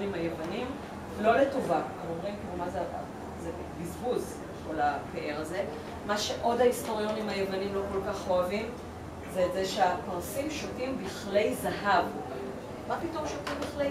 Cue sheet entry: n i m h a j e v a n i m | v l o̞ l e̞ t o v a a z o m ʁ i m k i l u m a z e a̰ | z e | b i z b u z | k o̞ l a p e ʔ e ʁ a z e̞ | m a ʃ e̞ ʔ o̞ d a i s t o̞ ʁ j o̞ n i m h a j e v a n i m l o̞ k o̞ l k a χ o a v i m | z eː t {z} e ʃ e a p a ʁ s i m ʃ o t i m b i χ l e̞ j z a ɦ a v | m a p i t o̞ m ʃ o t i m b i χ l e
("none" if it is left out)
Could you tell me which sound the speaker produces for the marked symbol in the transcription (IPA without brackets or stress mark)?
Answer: z